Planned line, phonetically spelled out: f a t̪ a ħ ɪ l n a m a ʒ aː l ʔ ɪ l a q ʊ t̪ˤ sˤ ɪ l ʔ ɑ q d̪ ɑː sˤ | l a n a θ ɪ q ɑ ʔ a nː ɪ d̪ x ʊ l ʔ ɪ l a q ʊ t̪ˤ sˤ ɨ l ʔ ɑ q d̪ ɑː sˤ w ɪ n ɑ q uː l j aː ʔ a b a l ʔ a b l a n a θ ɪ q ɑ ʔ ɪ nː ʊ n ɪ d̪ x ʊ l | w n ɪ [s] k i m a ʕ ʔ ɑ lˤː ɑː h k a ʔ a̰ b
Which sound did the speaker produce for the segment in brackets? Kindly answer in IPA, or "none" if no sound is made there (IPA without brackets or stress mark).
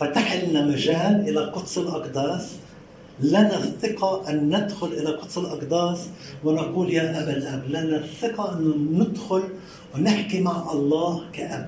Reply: ħ